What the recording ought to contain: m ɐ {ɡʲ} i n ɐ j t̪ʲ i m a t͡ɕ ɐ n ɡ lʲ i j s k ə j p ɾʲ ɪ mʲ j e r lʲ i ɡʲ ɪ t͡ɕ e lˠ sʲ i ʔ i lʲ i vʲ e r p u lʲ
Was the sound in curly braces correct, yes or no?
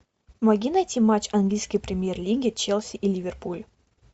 yes